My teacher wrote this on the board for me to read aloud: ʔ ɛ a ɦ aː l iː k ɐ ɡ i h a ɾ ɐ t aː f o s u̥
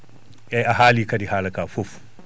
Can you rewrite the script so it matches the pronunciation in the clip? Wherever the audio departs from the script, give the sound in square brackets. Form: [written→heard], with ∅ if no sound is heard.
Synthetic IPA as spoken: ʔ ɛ a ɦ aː l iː k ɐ [ɡ→d] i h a [ɾ→l] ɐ [t→k] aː f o [s→f] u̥